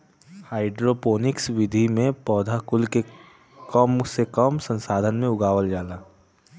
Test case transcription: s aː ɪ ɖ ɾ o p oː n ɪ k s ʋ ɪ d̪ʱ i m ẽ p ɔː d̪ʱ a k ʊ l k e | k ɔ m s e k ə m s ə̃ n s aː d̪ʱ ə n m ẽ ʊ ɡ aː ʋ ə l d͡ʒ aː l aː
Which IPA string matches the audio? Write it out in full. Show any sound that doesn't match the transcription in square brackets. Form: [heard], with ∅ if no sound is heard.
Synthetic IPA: [h] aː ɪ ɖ ɾ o p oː n ɪ k s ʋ ɪ d̪ʱ i m ẽ p ɔː d̪ʱ a k ʊ l k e | k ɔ m s e k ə m s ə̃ n s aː d̪ʱ ə n m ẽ ʊ ɡ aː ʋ ə l d͡ʒ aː l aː